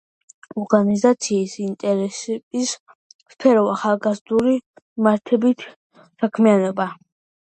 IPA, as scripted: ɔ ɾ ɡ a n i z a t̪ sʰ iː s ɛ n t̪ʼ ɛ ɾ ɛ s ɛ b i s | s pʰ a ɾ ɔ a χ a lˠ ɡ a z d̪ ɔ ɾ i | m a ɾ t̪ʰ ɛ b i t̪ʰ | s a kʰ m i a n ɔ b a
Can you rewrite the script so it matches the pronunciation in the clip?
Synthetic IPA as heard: ɔ ɾ ɡ a n i z a t̪ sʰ iː s i n t̪ʼ ɛ ɾ ɛ s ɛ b i s | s pʰ ɛ ɾ ɔ a χ a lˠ ɡ a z d̪ u ɾ i | m a ɾ t̪ʰ ɛ b i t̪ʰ | s a kʰ m i a n ɔ b a